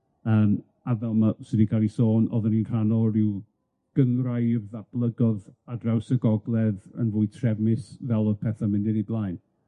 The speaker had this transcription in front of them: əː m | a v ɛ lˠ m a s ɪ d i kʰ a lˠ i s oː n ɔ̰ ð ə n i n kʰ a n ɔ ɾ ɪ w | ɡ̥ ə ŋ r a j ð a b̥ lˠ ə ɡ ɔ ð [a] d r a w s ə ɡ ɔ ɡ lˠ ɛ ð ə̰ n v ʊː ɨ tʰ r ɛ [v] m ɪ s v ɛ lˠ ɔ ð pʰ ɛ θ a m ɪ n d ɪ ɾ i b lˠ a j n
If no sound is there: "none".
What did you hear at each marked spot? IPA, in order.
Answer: a, v

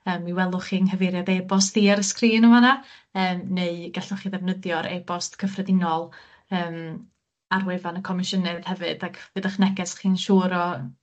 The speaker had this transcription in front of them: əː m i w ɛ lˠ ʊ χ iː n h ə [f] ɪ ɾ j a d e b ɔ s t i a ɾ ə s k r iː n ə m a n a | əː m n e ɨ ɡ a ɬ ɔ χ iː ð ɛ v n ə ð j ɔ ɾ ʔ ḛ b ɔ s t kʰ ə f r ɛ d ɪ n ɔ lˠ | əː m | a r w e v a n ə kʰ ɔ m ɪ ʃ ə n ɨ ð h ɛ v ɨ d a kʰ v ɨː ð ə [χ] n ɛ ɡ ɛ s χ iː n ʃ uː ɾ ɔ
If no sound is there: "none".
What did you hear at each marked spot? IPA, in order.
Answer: v, χ

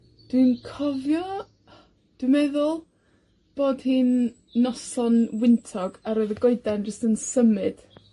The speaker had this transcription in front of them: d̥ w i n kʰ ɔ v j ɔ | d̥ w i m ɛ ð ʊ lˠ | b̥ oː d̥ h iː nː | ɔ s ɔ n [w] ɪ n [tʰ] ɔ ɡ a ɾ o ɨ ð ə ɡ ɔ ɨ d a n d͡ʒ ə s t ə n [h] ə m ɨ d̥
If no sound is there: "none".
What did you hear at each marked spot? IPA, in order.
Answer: w, tʰ, s

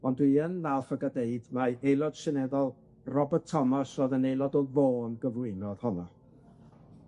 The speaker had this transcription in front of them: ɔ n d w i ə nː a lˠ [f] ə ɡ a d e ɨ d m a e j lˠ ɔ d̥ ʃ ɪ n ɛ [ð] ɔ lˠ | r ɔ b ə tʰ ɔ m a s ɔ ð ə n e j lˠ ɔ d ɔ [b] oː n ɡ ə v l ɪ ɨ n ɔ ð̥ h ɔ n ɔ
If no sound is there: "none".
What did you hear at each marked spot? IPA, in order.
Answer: f, ð, v

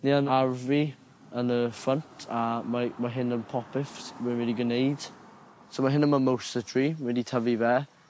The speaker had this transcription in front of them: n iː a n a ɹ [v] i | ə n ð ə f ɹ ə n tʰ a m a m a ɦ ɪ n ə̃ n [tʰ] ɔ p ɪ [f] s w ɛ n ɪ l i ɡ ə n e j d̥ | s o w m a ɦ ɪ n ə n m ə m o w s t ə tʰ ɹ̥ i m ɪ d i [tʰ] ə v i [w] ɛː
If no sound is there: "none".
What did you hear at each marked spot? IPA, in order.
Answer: v, pʰ, f, tʰ, v

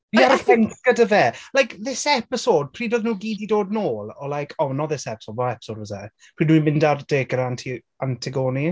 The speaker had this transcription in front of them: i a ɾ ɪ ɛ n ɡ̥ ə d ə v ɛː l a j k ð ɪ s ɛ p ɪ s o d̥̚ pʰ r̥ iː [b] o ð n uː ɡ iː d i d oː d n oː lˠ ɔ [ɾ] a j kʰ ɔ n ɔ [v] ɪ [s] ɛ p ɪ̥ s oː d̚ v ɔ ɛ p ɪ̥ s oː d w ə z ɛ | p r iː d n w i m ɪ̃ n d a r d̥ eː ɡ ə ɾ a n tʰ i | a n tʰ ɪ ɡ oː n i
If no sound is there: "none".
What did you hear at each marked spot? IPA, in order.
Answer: d, l, ð, s

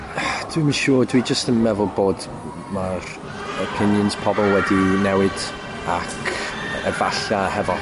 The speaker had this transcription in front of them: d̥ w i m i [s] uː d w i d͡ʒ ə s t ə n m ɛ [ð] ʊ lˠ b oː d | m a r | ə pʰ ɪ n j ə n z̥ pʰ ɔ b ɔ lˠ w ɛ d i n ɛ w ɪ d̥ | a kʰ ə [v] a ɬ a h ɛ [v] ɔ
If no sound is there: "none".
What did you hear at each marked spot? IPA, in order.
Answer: ʃ, v, v, v

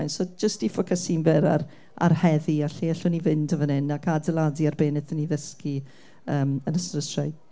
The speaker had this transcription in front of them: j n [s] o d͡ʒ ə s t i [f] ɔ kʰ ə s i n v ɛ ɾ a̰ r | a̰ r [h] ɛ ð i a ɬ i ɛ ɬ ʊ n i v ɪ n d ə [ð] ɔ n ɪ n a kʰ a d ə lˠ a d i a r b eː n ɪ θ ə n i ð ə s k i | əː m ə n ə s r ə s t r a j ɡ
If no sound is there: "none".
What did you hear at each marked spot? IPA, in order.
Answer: s, f, h, v

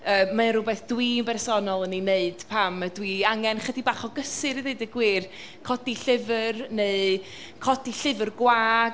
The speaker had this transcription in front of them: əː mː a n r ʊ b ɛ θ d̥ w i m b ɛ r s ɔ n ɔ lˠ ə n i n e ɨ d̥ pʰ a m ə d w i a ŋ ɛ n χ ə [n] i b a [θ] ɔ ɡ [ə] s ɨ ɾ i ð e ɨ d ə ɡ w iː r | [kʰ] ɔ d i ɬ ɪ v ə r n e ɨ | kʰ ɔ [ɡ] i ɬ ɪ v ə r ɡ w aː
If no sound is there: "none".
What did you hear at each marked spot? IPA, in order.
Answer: d, χ, ə, kʰ, d

